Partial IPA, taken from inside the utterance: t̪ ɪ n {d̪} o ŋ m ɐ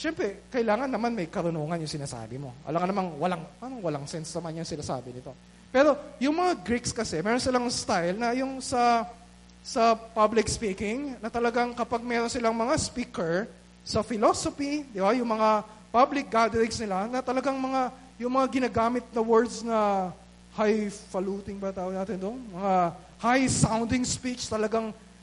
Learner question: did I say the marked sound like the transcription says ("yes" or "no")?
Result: yes